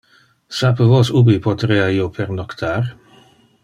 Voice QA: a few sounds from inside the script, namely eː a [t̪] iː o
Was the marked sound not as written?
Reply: yes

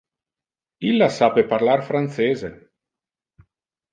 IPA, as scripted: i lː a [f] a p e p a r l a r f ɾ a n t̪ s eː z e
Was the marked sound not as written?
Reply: yes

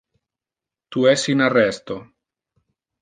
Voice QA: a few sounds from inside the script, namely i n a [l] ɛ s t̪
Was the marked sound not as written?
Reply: yes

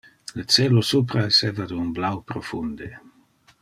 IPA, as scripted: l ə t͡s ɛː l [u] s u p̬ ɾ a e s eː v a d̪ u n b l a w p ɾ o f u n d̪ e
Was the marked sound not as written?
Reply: yes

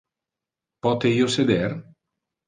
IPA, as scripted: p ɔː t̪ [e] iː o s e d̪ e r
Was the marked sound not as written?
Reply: no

